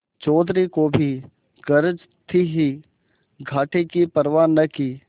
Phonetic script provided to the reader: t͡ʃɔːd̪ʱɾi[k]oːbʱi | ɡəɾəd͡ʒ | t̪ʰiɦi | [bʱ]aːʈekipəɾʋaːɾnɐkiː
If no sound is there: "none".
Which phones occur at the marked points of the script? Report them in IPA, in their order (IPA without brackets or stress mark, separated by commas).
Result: k, ɡʱ